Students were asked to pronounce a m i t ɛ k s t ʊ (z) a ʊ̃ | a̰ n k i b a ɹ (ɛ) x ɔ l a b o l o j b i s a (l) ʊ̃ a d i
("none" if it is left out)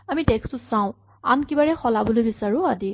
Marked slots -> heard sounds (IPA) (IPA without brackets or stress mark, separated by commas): s, ɛ, ɹ